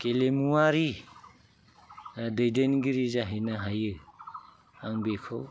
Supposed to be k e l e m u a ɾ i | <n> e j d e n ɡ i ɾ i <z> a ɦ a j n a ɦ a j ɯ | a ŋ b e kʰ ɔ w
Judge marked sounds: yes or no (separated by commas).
no, yes